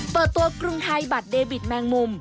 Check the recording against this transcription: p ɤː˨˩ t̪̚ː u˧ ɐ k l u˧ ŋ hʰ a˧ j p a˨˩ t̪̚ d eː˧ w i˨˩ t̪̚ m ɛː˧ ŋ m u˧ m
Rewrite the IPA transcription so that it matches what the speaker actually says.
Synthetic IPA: p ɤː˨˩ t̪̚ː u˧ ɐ k ɾ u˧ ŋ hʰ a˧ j b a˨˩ t̪̚ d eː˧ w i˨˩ t̪̚ m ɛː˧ ŋ m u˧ m